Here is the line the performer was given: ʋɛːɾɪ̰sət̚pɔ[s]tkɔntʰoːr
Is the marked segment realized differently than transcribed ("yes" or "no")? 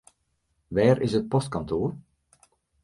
no